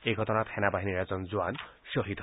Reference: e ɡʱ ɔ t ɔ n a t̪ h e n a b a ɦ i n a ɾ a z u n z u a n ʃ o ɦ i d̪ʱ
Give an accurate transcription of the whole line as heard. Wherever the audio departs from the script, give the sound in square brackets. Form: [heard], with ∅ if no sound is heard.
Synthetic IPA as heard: e ɡʱ ɔ t ɔ n a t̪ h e n a b a ɦ i n [i] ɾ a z [ɔ] n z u a n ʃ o ɦ i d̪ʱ